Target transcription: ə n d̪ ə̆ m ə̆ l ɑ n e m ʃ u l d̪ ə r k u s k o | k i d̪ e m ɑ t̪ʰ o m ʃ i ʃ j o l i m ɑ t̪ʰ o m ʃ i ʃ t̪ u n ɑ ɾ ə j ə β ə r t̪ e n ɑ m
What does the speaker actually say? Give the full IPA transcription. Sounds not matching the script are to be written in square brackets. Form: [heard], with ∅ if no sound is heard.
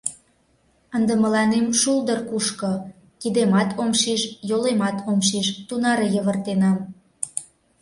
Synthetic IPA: ə n d̪ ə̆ m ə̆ l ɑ n e m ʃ u l d̪ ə r k u [ʃ] k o | k i d̪ e m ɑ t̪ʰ o m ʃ i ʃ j o l [e] m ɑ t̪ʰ o m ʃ i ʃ t̪ u n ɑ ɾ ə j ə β ə r t̪ e n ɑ m